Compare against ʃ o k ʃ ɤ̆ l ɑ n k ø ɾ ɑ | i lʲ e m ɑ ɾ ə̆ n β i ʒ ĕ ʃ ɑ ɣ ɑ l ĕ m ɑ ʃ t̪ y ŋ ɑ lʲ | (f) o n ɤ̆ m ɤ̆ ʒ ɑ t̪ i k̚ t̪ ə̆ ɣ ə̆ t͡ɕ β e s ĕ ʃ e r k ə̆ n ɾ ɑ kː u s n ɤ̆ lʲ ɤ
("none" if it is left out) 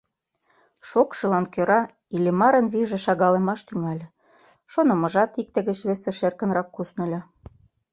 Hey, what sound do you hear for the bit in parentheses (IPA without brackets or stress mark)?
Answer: ʃ